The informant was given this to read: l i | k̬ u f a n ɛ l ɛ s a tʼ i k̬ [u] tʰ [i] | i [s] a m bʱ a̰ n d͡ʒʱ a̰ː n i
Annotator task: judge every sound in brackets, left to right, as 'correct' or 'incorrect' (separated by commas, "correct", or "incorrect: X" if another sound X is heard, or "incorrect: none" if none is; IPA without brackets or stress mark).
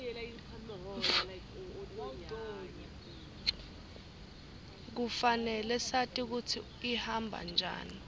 correct, correct, incorrect: h